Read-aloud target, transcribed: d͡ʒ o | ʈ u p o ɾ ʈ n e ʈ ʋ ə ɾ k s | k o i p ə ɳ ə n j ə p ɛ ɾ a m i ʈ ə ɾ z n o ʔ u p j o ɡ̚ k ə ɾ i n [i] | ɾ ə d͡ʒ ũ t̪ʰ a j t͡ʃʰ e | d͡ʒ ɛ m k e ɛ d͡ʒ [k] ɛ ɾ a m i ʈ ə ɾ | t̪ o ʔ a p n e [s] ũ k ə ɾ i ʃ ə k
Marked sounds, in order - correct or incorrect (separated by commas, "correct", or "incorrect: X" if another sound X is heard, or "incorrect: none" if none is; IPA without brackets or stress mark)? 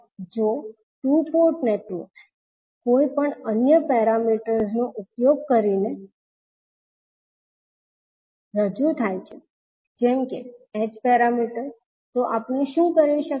incorrect: e, incorrect: p, incorrect: ʃ